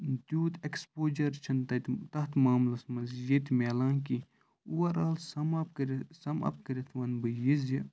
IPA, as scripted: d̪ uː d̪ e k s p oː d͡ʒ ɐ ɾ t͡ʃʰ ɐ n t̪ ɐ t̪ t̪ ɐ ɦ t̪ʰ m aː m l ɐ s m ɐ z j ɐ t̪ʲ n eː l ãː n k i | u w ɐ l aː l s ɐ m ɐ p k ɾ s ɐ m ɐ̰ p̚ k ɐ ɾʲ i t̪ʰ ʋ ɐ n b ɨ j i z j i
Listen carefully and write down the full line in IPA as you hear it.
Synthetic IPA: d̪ uː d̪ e k s p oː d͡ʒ ɐ ɾ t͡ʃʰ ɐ n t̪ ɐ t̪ t̪ ɐ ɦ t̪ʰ m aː m l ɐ s m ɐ z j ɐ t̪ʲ m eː l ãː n k i | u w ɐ ɾ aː l s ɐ m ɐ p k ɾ s ɐ m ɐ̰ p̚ k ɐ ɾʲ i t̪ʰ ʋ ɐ n b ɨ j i z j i